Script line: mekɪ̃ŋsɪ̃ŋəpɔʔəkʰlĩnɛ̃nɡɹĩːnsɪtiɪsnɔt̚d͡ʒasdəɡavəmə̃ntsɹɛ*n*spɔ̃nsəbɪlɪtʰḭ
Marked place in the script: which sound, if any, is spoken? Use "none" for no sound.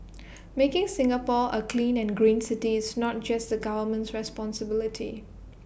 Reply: none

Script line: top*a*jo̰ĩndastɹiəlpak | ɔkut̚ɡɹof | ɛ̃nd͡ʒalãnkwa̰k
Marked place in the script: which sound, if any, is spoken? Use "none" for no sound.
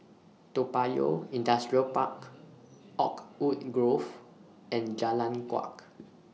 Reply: a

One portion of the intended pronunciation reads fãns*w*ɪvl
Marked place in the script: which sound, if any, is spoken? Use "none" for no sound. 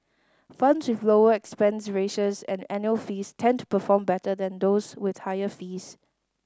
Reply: w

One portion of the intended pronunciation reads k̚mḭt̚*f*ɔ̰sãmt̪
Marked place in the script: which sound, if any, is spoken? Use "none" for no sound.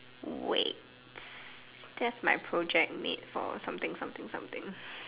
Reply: f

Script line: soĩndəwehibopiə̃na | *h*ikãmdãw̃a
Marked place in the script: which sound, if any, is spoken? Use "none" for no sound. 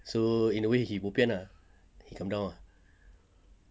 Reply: h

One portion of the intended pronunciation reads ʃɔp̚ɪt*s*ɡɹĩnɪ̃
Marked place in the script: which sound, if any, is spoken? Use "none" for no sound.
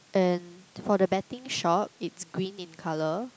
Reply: s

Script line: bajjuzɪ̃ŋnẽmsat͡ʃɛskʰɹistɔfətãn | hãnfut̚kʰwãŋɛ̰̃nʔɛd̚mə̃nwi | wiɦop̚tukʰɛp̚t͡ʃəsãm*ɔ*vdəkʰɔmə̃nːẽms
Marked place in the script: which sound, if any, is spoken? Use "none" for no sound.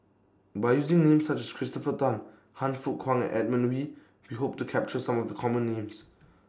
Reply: ɔ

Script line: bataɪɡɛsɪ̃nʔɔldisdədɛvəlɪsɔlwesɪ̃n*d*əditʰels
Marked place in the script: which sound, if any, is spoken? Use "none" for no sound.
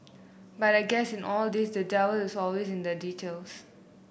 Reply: d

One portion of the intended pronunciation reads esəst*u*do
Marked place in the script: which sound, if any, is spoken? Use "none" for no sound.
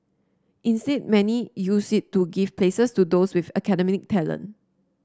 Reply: u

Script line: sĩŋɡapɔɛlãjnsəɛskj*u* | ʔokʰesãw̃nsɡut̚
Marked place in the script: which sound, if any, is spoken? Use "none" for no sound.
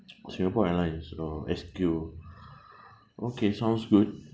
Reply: u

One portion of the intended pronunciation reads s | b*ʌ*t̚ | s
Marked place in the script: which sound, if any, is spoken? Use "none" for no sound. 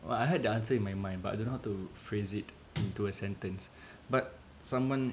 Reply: a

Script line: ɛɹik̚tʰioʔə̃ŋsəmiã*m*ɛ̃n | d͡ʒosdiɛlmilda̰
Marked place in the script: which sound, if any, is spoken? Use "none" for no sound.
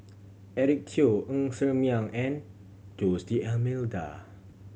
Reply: ŋ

